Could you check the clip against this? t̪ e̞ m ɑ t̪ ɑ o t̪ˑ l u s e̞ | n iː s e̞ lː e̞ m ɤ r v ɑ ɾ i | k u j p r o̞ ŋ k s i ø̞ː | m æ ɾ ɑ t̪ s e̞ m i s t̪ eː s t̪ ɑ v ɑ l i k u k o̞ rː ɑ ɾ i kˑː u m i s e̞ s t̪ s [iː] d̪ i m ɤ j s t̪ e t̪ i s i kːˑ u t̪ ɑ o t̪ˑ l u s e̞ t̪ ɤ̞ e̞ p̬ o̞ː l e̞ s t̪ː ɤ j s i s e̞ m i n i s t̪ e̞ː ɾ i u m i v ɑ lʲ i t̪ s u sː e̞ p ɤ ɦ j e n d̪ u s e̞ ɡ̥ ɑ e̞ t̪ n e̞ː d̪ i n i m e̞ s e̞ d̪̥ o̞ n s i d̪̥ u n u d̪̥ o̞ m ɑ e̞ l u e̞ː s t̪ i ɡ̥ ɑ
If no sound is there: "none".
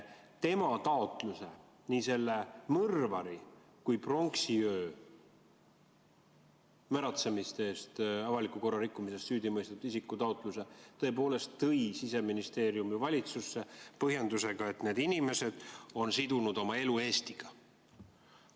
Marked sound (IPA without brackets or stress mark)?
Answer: yː